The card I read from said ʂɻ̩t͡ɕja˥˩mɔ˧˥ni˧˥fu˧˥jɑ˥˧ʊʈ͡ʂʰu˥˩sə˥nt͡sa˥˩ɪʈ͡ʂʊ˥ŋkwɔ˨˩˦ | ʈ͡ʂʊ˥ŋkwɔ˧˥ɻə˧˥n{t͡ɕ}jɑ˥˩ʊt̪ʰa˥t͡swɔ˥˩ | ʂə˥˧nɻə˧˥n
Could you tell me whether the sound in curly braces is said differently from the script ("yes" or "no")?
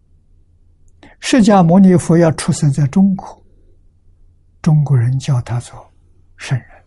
no